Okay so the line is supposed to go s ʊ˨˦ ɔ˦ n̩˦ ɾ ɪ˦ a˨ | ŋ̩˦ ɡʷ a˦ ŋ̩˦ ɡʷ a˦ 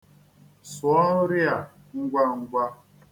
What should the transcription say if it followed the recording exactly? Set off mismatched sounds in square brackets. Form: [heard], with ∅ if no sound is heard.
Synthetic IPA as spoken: s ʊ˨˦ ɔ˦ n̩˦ ɾ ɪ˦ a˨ | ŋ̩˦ ɡʷ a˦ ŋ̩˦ ɡʷ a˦